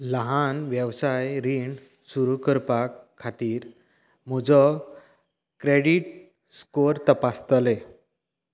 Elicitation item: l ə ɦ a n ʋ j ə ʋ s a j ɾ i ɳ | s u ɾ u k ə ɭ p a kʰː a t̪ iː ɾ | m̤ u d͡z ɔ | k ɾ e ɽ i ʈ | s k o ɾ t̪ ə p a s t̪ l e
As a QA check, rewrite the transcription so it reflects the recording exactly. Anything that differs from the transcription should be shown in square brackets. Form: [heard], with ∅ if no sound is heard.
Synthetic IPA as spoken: l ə ɦ a n ʋ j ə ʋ s a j ɾ i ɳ | s u ɾ u k ə [ɾ] p a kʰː a t̪ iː ɾ | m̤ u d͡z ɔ | k ɾ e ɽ i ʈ | s k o ɾ t̪ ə p a s t̪ l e